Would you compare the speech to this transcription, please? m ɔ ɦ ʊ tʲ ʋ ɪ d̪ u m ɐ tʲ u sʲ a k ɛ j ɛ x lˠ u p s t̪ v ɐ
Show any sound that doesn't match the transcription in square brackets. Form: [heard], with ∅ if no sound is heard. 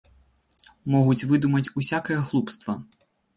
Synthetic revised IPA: m ɔ ɦ ʊ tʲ ʋ ɪ d̪ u m ɐ tʲ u sʲ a k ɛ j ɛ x lˠ u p s t̪ [ʋ] ɐ

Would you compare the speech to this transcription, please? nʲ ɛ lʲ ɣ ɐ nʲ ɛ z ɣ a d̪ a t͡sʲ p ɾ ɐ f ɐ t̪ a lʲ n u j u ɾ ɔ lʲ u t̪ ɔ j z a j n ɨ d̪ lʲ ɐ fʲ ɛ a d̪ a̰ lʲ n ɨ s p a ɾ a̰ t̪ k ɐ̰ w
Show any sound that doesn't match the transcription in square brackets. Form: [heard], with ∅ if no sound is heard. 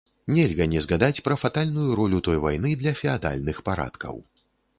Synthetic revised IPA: nʲ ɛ lʲ ɣ ɐ nʲ ɛ z ɣ a d̪ a t͡sʲ p ɾ ɐ f [a] t̪ a lʲ n u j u ɾ ɔ lʲ u t̪ ɔ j [v] a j n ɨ d̪ lʲ ɐ fʲ ɛ a d̪ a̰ lʲ n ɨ [x] p a ɾ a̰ t̪ k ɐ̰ w

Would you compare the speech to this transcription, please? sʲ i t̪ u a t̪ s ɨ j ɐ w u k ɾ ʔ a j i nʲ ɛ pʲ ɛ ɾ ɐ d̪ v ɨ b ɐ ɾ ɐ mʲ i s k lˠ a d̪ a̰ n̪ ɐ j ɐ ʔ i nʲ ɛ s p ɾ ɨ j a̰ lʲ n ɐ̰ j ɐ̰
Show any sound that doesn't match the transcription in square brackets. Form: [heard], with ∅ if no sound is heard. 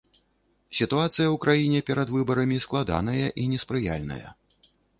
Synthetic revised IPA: sʲ i t̪ u a t̪ s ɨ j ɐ w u k ɾ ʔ a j i nʲ ɛ pʲ ɛ ɾ ɐ d̪ v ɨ b ɐ ɾ ɐ mʲ i s k lˠ a d̪ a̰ n̪ ɐ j ɐ ʔ i nʲ ɛ s p ɾ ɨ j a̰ lʲ n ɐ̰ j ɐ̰

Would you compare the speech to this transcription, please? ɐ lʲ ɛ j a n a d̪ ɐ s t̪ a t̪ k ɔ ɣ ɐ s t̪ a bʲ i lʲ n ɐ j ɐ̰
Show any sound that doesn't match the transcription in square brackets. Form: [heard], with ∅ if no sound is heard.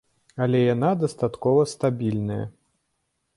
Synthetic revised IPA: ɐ lʲ ɛ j a n a d̪ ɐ s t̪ a t̪ k ɔ [v] ɐ s t̪ a bʲ i lʲ n ɐ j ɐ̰

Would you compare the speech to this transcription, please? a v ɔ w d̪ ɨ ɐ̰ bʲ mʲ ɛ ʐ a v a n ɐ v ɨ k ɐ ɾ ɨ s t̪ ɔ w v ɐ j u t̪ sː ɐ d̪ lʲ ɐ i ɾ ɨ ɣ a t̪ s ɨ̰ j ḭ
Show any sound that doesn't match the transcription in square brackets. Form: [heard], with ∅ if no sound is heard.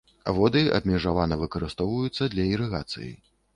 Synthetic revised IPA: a v ɔ [∅] d̪ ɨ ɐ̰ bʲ mʲ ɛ ʐ a v a n ɐ v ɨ k ɐ ɾ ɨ s t̪ ɔ w v ɐ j u t̪ sː ɐ d̪ lʲ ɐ i ɾ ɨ ɣ a t̪ s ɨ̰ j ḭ

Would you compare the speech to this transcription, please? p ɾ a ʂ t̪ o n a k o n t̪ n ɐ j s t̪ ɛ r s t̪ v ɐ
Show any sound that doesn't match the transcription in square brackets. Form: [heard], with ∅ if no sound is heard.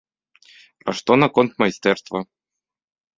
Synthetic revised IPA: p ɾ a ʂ t̪ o n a k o n t̪ [m] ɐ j s t̪ ɛ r s t̪ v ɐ

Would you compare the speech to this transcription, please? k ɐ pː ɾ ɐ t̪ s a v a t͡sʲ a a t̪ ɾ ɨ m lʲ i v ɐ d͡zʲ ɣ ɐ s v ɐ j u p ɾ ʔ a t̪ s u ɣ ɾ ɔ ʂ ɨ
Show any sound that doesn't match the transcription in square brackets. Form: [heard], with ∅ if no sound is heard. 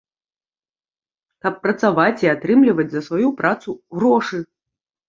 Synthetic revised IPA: k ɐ pː ɾ ɐ t̪ s a v a t͡sʲ [i] a t̪ ɾ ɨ m lʲ i v ɐ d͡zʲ [z] ɐ s v [a] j u p ɾ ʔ a t̪ s u ɣ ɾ ɔ ʂ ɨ

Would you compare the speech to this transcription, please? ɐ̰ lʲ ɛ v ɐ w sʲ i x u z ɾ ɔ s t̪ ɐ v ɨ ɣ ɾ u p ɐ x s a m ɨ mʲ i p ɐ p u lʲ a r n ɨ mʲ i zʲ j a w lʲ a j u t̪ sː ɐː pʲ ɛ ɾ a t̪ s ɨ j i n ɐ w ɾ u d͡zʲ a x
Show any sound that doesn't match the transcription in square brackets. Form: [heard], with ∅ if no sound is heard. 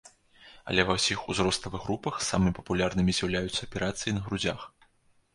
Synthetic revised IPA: ɐ̰ lʲ ɛ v ɐ w sʲ i x u z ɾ ɔ s t̪ ɐ v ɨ ɣ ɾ u p ɐ x s a m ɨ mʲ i p ɐ p u lʲ a r n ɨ mʲ i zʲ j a w lʲ a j u t̪ sː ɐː pʲ ɛ ɾ a t̪ s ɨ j i n ɐ [ɣ] ɾ u d͡zʲ a x

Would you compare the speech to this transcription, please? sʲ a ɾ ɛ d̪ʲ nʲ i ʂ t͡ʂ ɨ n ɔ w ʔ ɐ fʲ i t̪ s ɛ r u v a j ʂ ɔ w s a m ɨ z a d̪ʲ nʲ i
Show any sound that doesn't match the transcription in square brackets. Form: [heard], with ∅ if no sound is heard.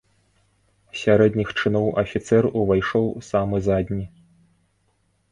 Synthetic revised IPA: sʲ a ɾ ɛ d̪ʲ nʲ i [x] t͡ʂ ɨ n ɔ w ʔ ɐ fʲ i t̪ s ɛ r u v a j ʂ ɔ w s a m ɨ z a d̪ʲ nʲ i

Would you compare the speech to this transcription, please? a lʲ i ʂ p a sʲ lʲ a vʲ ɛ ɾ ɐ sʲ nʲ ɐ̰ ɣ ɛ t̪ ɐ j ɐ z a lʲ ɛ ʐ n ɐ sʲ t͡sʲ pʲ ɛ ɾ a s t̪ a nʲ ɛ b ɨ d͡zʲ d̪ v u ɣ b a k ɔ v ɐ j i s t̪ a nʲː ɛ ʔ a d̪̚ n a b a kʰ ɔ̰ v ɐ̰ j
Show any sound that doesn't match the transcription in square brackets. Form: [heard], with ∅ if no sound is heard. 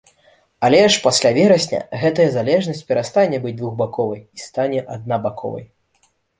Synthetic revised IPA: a lʲ [ɛ] ʂ p a sʲ lʲ a vʲ ɛ ɾ ɐ sʲ nʲ ɐ̰ ɣ ɛ t̪ ɐ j ɐ z a lʲ ɛ ʐ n ɐ sʲ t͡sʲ pʲ ɛ ɾ a s t̪ a nʲ ɛ b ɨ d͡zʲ d̪ v u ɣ b a k ɔ v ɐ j i s t̪ a [nʲ] ɛ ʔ a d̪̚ n a b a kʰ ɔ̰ v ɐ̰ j

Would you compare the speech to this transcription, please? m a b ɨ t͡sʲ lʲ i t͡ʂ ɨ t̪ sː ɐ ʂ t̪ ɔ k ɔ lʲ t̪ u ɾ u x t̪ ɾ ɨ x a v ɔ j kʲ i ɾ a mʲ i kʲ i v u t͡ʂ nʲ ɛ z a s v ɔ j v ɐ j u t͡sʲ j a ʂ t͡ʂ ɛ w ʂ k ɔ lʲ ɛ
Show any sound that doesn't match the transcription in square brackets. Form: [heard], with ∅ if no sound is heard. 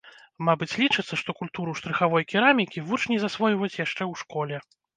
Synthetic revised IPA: m a b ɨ t͡sʲ lʲ i t͡ʂ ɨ t̪ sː ɐ ʂ t̪ ɔ k [u] lʲ t̪ u ɾ u [ʂ] t̪ ɾ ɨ x a v ɔ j kʲ i ɾ a mʲ i kʲ i v u t͡ʂ nʲ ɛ z a s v ɔ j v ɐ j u t͡sʲ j a ʂ t͡ʂ ɛ w ʂ k ɔ lʲ ɛ

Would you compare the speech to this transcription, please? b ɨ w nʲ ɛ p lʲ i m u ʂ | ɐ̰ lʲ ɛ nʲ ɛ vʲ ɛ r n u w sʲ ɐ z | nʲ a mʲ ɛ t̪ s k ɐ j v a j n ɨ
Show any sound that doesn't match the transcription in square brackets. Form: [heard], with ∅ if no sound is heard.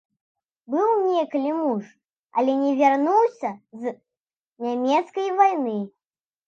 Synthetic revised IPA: b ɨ w nʲ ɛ [k] lʲ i m u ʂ | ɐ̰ lʲ ɛ nʲ ɛ vʲ [a] r n u w sʲ ɐ z | nʲ a mʲ ɛ t̪ s k ɐ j v a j n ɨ

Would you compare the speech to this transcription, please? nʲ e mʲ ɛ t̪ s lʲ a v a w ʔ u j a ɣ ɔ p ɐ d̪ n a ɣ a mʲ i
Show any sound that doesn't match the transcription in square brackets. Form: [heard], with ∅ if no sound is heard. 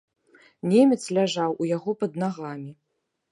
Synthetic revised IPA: nʲ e mʲ ɛ t̪ s lʲ a [ʐ] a w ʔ u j a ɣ ɔ p ɐ d̪ n a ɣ a mʲ i

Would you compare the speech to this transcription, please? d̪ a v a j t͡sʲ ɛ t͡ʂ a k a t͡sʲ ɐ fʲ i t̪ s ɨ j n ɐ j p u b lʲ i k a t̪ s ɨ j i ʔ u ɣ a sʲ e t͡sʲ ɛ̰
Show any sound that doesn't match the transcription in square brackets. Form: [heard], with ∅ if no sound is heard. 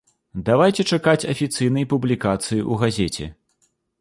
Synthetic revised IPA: d̪ a v a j t͡sʲ ɛ t͡ʂ a k a t͡sʲ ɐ fʲ i t̪ s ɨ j n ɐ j p u b lʲ i k a t̪ s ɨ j i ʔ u ɣ a [zʲ] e t͡sʲ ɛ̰

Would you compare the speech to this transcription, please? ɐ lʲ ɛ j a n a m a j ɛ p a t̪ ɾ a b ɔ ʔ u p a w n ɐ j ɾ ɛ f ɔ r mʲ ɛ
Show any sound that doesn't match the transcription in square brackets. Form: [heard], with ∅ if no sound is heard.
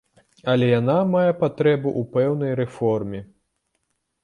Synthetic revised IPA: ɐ lʲ ɛ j a n a m a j ɛ p a t̪ ɾ [ɛ] b [u] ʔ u p [ɛ] w n ɐ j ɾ ɛ f ɔ r mʲ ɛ

